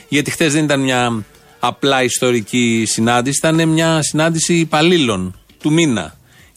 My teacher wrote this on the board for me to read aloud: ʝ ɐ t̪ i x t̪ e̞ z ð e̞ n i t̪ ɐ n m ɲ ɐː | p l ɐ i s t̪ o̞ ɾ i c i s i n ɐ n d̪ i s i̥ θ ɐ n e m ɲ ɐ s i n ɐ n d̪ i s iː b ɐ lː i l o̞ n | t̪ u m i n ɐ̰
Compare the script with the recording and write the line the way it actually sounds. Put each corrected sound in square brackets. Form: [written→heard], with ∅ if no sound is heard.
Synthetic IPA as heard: ʝ ɐ t̪ i x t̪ e̞ z ð e̞ n i t̪ ɐ n m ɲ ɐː | p l ɐ i s t̪ o̞ ɾ i c i s i n ɐ n d̪ i s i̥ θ ɐ n e m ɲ ɐ s i n ɐ n d̪ i s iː [b→p] ɐ [lː→l] i l o̞ n | t̪ u m i n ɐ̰